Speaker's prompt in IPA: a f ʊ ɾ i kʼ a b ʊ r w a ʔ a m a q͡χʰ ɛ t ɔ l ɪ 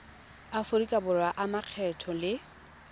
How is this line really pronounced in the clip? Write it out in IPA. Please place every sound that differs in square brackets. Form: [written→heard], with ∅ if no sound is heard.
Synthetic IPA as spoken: a f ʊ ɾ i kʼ a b ʊ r w a ʔ a m a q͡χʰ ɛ [t→tʰ] ɔ l ɪ